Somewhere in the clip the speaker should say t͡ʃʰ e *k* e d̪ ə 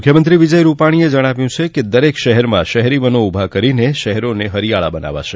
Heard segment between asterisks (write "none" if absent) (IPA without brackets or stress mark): k